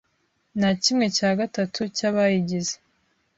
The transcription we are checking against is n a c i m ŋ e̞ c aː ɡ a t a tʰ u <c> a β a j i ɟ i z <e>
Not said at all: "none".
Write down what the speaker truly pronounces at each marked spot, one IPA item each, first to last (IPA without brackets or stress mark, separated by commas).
c, e